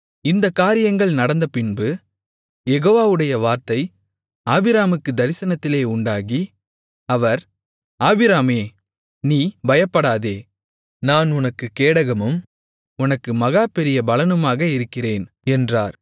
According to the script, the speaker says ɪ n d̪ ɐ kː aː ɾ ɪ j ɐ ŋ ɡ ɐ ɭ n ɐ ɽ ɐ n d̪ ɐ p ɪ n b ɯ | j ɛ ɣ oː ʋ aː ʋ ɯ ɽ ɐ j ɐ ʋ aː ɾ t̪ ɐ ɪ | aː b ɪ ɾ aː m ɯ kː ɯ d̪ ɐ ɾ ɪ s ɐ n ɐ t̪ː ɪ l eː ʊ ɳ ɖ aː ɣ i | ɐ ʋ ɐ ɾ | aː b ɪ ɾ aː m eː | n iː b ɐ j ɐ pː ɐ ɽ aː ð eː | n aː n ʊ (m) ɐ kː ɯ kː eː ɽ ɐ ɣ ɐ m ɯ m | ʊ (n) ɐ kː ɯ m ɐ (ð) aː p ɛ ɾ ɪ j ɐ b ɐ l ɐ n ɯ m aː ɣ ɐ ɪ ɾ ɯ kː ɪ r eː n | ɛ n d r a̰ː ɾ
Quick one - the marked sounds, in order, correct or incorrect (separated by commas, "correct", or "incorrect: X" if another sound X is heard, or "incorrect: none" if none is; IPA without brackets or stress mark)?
incorrect: n, correct, incorrect: ɣ